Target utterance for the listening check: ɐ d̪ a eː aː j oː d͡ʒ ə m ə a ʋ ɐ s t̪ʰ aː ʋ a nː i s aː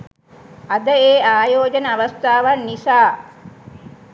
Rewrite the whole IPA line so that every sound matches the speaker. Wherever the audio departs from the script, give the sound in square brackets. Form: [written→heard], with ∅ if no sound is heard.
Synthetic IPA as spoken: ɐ d̪ [a→ə] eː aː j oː d͡ʒ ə [m→n] ə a ʋ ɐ s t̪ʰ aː ʋ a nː i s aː